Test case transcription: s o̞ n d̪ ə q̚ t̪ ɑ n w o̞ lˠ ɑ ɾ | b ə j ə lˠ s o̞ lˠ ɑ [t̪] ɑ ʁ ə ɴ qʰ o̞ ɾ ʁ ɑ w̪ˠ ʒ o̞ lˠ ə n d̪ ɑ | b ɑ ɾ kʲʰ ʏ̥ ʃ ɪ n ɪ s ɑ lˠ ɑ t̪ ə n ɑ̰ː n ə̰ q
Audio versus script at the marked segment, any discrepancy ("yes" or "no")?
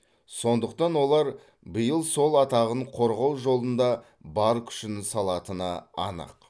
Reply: no